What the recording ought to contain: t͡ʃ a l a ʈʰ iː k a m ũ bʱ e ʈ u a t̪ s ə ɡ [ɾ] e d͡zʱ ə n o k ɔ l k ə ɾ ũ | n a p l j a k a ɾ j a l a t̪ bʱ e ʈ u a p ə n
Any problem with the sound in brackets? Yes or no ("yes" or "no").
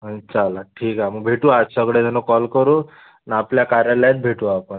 yes